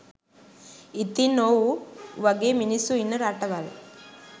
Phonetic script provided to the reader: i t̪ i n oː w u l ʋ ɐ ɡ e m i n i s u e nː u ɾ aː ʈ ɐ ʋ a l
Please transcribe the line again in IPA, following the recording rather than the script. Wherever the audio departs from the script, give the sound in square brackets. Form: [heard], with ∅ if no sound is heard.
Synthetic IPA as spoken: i t̪ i n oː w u [∅] ʋ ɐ ɡ e m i n i s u [i] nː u ɾ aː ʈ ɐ ʋ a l